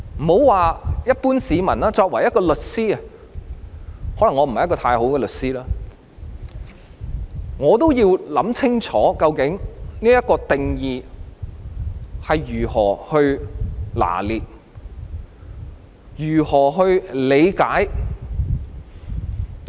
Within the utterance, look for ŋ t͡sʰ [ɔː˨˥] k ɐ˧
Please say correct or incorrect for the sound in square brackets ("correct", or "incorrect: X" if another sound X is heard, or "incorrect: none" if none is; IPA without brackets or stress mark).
correct